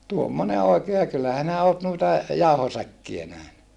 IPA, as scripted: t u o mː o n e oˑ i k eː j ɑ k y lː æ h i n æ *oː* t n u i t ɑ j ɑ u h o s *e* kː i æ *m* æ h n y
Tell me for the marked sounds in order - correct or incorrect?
correct, incorrect, incorrect

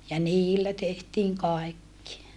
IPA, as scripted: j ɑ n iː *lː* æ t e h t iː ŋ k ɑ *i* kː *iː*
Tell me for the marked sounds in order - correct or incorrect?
correct, incorrect, incorrect

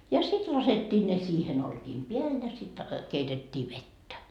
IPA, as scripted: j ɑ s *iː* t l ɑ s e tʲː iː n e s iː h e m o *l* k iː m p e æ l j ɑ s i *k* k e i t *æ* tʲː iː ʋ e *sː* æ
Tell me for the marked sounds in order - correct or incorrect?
incorrect, correct, incorrect, incorrect, incorrect

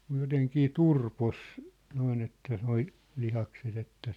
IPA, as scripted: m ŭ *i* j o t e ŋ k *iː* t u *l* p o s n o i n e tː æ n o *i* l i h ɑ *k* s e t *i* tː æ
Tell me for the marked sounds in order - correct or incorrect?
incorrect, correct, incorrect, correct, correct, incorrect

